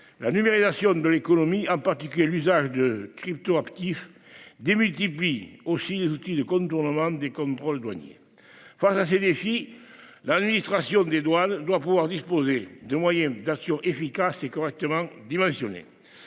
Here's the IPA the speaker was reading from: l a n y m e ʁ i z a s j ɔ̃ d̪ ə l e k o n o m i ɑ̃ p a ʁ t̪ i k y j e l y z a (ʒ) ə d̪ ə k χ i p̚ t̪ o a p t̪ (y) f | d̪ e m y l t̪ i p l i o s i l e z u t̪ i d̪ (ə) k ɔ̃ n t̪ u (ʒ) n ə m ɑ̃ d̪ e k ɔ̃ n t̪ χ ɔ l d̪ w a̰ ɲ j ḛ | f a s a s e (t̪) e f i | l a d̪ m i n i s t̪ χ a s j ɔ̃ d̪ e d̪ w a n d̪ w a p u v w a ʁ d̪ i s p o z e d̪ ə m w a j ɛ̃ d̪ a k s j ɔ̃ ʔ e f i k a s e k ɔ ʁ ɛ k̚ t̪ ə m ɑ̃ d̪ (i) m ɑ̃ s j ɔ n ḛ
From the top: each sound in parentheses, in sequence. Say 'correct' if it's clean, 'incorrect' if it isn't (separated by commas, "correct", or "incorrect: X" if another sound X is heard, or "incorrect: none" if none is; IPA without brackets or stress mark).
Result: correct, incorrect: i, correct, incorrect: ʁ, incorrect: d̪, correct